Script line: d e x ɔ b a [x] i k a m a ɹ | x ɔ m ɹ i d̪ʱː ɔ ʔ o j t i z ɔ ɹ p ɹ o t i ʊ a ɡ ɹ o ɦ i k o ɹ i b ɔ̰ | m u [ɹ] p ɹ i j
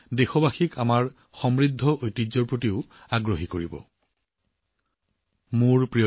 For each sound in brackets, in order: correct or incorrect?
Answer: correct, correct

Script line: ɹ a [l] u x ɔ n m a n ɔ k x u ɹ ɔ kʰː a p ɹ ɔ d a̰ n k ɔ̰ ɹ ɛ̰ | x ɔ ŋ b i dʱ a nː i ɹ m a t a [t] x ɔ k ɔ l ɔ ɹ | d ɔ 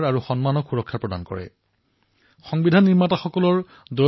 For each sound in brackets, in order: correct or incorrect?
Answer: incorrect, incorrect

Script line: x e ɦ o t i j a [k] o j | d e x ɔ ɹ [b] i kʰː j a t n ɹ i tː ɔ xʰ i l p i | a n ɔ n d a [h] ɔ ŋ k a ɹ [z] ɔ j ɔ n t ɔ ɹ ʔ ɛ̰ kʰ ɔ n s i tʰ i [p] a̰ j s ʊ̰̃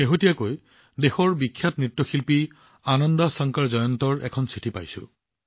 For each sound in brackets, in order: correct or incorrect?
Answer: correct, correct, incorrect, correct, correct

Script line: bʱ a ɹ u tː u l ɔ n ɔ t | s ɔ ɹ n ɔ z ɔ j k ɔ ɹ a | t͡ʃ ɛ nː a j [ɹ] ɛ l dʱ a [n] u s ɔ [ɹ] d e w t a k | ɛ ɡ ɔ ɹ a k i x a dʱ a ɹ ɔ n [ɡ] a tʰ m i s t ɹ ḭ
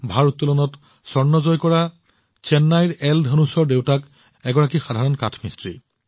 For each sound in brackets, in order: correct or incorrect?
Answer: correct, correct, correct, incorrect

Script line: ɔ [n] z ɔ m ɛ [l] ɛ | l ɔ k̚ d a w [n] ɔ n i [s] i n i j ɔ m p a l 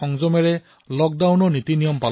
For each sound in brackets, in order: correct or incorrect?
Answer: incorrect, incorrect, correct, incorrect

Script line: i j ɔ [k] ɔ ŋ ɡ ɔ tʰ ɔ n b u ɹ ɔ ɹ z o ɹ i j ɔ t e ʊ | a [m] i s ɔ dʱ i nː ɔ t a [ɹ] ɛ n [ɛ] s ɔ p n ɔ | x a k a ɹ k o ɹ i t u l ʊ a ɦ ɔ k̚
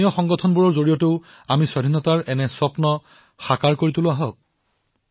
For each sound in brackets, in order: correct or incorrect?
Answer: incorrect, correct, correct, correct

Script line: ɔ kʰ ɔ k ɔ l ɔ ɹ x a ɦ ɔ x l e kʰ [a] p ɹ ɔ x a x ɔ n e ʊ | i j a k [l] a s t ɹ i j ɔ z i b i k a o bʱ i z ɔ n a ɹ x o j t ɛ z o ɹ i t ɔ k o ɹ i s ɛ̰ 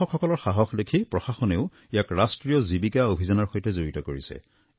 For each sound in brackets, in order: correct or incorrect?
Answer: incorrect, incorrect

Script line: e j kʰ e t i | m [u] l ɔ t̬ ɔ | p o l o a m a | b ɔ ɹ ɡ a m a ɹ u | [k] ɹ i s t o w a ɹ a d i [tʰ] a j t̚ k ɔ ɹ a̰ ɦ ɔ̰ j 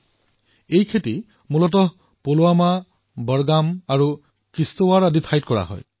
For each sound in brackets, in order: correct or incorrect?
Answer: correct, correct, correct

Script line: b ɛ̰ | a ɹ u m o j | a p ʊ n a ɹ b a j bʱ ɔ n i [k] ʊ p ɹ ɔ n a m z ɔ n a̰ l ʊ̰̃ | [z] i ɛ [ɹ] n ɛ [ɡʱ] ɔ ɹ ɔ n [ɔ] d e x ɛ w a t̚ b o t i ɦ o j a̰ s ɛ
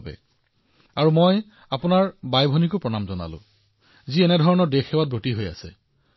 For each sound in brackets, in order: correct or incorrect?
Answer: correct, correct, incorrect, incorrect, correct

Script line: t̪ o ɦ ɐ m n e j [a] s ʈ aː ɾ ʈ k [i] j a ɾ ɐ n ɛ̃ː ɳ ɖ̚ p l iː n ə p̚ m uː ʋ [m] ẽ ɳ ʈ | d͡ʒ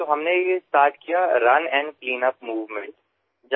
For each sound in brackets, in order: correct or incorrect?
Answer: incorrect, correct, correct

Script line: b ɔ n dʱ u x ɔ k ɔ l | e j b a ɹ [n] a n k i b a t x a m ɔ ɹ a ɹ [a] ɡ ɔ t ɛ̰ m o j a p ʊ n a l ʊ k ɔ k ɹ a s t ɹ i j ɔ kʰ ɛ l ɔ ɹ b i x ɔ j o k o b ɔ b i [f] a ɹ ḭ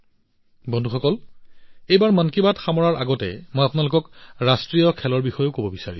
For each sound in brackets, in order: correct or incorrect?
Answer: incorrect, correct, incorrect

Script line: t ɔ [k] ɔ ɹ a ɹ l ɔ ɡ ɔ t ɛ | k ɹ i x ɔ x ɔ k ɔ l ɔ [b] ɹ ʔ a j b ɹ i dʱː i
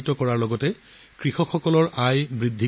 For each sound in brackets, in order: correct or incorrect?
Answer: correct, incorrect

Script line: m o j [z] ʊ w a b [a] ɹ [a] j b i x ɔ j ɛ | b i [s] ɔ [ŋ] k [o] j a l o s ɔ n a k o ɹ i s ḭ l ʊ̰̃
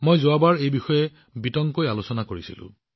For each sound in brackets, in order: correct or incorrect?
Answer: correct, correct, incorrect, incorrect, correct, correct

